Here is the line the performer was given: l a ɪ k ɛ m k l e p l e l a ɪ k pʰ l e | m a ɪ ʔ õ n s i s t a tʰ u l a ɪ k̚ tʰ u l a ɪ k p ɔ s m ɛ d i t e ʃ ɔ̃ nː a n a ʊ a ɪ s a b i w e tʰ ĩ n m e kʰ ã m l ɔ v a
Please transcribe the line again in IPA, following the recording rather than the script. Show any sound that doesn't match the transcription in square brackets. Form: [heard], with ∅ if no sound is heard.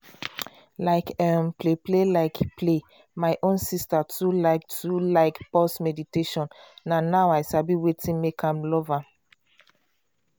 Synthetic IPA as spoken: l a ɪ k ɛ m [p] l e p l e l a ɪ k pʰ l e | m a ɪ ʔ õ n s i s t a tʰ u l a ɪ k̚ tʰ u l a ɪ k p ɔ s m ɛ d i t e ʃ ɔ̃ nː a n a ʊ a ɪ s a b i w e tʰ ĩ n m e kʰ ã m l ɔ v a

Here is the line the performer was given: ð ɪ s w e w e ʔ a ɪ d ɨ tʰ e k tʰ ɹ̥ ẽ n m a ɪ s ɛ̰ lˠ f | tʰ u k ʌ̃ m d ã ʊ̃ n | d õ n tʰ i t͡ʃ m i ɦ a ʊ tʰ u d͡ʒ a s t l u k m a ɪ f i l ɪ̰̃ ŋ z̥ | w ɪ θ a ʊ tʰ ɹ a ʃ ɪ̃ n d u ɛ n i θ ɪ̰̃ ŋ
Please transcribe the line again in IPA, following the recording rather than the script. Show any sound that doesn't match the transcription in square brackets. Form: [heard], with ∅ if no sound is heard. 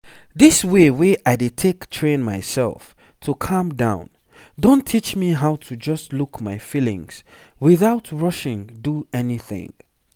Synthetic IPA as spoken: ð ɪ s w e w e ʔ a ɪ d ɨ tʰ e k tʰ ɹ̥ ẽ n m a ɪ s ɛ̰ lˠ f | tʰ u [kʰ] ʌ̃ m d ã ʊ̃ n | d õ n tʰ i t͡ʃ m i ɦ a ʊ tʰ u d͡ʒ [ʌ] s t l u k m a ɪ f i l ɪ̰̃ ŋ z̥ | w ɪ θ a ʊ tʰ ɹ [ʌ] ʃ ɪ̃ [ŋ] d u ɛ n i θ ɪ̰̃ ŋ

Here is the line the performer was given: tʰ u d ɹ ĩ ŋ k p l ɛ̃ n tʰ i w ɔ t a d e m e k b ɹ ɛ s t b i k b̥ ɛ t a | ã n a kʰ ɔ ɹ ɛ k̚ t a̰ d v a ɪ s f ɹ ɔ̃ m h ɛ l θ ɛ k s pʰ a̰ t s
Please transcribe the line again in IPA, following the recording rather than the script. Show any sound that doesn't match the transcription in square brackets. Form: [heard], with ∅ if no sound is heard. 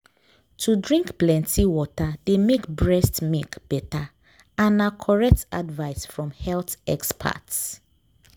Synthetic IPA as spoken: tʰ u d ɹ ĩ ŋ k p l ɛ̃ n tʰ i w ɔ t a d e m e k b ɹ ɛ s t [m] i k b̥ ɛ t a | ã n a kʰ ɔ ɹ ɛ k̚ t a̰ d v a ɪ s f ɹ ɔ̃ m h ɛ l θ ɛ k s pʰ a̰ t s

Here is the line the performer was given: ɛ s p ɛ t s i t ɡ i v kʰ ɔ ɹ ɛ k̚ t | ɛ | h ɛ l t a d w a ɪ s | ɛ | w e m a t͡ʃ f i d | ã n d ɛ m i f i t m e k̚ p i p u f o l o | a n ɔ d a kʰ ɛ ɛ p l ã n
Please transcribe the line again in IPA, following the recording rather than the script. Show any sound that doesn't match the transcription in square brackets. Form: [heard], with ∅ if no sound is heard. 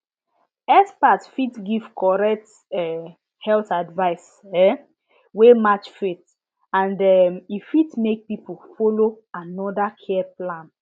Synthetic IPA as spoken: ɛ s p [a] t [f] i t ɡ i v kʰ ɔ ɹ ɛ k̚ t | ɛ | h ɛ l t a d [v] a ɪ s | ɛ | w e m a t͡ʃ f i [t] | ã n d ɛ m i f i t m e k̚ p i p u f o l o | a n ɔ d a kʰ ɛ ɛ p l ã n

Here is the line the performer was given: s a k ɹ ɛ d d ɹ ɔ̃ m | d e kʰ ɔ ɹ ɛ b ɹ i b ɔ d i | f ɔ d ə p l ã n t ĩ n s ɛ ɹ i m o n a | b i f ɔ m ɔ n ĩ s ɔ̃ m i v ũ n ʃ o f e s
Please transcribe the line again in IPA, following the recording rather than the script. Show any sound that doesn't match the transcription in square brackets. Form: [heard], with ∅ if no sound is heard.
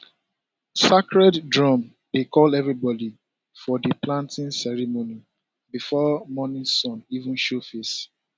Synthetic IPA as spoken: s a k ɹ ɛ d d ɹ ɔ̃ m | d e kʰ ɔ [l] ɛ [v] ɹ i b ɔ d i | f ɔ d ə p l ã n t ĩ n s ɛ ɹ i m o n [i] | b i f ɔ m ɔ n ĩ s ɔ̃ [n] i v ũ n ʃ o f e s

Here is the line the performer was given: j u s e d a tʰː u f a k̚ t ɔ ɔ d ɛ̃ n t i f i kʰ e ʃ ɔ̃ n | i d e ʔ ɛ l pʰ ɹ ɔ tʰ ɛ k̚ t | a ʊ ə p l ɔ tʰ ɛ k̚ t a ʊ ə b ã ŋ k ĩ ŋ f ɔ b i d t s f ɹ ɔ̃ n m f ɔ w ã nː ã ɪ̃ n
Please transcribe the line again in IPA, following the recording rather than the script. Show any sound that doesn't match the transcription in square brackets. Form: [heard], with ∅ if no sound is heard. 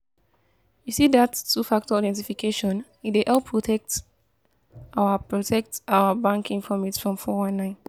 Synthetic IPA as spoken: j u s [i] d a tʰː u f a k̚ t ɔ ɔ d ɛ̃ n t i f i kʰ e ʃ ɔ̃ n | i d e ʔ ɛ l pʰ ɹ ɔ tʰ ɛ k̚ t | a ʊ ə p [ɹ] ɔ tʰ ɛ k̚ t a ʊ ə b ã ŋ k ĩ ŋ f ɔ [m] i [∅] t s f ɹ ɔ̃ [∅] m f ɔ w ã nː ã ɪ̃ n

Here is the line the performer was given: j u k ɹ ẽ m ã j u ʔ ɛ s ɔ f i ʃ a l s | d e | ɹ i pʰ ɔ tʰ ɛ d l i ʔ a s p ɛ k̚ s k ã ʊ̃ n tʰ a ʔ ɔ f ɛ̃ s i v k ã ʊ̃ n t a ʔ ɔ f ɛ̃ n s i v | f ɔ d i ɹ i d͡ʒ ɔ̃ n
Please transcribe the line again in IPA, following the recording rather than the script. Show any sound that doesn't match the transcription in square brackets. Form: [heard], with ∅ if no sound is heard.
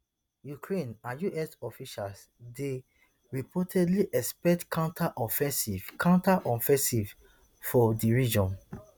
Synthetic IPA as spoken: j u k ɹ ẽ [n] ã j u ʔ ɛ s ɔ f i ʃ a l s | d e | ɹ i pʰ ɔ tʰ ɛ d l i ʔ [ɛ] s p ɛ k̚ [t] k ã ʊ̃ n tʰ a ʔ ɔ f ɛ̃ s i v k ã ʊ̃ n t a ʔ ɔ f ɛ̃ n s i v | f ɔ d i ɹ i d͡ʒ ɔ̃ n

